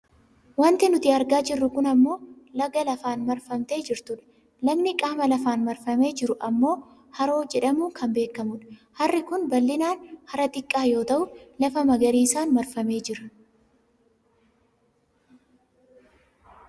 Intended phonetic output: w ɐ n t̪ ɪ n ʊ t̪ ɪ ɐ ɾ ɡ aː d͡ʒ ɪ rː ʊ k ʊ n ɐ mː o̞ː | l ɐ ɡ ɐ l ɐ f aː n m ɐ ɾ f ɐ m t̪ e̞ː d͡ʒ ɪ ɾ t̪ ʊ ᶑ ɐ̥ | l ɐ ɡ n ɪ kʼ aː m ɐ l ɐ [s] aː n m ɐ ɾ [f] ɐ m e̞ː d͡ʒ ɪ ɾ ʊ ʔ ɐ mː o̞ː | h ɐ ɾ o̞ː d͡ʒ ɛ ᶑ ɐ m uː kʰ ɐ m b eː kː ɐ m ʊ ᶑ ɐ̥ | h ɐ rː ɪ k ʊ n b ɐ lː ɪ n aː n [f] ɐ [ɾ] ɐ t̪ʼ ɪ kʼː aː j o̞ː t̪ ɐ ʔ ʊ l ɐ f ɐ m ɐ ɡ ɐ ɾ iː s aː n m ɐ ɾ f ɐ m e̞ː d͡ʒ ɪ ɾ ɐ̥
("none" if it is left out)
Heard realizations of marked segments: f, f, h, ɾ

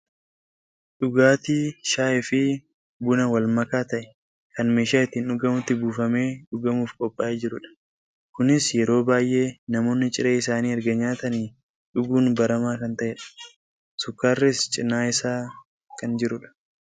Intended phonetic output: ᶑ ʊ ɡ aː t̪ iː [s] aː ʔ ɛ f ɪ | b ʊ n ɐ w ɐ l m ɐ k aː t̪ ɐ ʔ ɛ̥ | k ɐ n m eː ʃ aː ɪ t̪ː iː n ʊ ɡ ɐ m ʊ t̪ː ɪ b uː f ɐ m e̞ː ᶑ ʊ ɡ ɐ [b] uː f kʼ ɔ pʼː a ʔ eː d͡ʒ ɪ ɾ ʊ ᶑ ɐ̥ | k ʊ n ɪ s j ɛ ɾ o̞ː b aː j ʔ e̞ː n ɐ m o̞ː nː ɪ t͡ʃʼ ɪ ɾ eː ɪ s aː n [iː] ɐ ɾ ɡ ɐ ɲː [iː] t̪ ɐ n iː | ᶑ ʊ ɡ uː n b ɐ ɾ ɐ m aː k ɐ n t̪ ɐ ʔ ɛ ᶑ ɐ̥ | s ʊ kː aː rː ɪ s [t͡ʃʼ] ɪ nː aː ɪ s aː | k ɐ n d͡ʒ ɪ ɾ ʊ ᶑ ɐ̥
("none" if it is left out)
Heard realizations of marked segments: ʃ, m, iː, aː, t͡ʃʼ

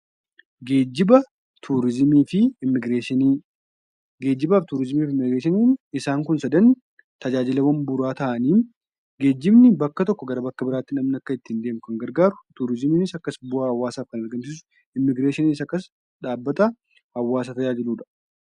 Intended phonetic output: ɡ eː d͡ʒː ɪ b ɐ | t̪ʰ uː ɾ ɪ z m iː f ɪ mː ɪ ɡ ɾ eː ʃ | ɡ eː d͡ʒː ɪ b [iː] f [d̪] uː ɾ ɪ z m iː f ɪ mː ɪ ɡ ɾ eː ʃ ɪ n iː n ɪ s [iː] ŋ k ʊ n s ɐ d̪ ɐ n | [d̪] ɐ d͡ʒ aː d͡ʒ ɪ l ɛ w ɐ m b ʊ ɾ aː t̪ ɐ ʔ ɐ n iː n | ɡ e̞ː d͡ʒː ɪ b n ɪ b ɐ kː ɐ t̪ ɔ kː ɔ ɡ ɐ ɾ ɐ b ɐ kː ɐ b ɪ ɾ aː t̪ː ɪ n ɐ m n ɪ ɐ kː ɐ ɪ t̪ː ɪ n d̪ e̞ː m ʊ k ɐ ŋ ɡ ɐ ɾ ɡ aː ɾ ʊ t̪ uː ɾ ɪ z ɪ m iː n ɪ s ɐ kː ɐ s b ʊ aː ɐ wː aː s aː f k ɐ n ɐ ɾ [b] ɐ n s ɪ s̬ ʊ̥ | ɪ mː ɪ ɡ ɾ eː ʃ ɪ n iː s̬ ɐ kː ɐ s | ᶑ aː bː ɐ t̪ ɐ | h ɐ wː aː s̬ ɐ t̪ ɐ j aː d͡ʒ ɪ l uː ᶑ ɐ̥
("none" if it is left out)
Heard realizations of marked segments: aː, t̪, aː, t̪, ɡ

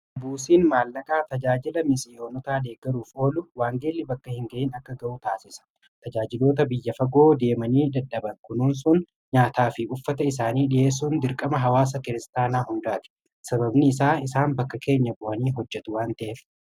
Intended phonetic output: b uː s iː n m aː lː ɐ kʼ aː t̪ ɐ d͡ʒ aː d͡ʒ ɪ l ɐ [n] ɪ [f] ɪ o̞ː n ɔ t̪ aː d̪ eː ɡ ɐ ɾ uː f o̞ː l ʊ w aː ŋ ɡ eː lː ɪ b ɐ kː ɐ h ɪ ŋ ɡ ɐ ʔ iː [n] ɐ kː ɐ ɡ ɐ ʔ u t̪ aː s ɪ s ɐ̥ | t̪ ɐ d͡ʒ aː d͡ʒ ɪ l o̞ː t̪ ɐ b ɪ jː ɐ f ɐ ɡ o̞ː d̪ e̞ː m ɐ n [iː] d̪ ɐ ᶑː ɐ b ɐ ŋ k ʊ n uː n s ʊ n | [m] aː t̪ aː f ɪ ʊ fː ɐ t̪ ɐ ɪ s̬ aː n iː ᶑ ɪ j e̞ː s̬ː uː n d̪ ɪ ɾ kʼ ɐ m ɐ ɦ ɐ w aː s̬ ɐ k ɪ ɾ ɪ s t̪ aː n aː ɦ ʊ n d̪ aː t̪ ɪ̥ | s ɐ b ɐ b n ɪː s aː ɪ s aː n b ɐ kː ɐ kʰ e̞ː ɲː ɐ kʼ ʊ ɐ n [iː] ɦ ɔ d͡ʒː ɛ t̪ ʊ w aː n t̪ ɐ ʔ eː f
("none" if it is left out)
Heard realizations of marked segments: m, s, n, iː, ɲ, iː

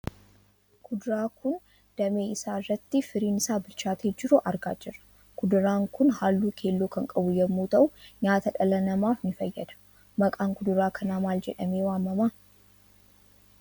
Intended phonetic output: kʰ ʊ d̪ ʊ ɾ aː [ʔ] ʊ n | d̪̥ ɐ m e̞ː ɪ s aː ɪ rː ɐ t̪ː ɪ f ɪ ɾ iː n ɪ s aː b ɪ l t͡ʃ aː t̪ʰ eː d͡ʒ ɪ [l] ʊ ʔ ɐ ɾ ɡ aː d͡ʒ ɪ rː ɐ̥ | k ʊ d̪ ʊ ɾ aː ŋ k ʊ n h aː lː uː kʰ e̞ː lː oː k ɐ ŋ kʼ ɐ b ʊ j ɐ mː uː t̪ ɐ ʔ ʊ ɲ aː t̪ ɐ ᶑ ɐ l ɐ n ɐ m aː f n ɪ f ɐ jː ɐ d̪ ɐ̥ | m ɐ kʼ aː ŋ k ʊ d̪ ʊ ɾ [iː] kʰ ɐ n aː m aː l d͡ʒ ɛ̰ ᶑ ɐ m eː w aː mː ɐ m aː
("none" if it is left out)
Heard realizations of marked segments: k, ɾ, aː

